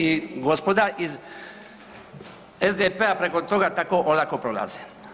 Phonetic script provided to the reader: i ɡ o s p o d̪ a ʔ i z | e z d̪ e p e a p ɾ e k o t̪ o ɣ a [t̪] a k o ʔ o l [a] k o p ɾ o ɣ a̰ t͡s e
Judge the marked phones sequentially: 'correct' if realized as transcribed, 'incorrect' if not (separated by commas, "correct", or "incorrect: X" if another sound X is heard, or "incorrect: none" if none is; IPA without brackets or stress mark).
correct, correct